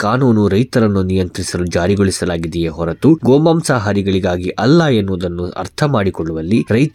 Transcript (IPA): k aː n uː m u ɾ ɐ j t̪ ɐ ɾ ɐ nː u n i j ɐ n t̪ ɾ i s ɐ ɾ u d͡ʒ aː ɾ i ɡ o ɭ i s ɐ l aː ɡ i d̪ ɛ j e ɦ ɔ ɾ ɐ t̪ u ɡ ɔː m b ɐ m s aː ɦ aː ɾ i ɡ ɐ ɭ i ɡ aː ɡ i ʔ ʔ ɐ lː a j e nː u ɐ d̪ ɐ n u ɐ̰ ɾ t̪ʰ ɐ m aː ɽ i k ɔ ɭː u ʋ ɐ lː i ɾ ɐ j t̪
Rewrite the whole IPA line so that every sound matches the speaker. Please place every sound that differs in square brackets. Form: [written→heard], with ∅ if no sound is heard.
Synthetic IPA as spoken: k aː n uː [m→n] u ɾ ɐ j t̪ ɐ ɾ ɐ nː u n i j ɐ n t̪ ɾ i s ɐ [ɾ→l] u d͡ʒ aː ɾ i ɡ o ɭ i s ɐ l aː ɡ i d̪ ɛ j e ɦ ɔ ɾ ɐ t̪ u ɡ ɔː m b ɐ m s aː ɦ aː ɾ i ɡ ɐ ɭ i ɡ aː ɡ i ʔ ʔ ɐ lː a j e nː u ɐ d̪ ɐ [n→nː] u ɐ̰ ɾ t̪ʰ ɐ m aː ɽ i k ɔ ɭː u ʋ ɐ lː i ɾ ɐ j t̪